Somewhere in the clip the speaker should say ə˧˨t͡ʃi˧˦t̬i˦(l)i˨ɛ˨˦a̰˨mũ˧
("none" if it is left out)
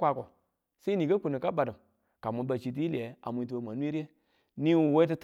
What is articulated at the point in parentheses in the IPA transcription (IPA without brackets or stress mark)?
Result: l